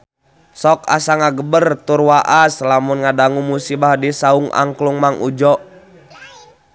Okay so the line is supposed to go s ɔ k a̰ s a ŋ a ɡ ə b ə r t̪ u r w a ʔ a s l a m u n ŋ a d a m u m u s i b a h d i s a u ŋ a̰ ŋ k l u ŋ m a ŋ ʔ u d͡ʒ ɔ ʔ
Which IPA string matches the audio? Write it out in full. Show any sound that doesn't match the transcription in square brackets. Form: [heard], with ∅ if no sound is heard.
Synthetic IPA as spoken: s ɔ k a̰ s a ŋ a ɡ ə b ə r t̪ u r w a ʔ a s l a m u n ŋ a d a [ŋ] u m u s i b a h d i s a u ŋ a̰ ŋ k l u ŋ m a ŋ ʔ u d͡ʒ ɔ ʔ